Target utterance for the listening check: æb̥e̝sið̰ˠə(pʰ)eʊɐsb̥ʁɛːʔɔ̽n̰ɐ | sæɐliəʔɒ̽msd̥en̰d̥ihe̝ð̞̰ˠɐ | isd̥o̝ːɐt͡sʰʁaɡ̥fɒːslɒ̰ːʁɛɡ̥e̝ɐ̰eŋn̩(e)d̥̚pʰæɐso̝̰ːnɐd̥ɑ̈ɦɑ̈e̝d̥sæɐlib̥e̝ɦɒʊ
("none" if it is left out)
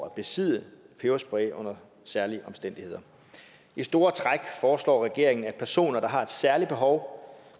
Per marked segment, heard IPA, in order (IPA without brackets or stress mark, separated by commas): pʰ, æ